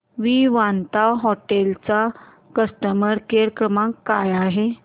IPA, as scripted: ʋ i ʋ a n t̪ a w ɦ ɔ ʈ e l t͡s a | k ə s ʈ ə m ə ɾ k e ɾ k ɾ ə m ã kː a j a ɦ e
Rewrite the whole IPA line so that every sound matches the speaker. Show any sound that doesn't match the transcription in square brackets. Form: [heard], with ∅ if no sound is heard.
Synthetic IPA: ʋ i ʋ a n t̪ a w ɦ ɔ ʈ e l t͡s a | k ə s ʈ ə m ə ɾ k e ɾ k ɾ ə m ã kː a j a ɦ e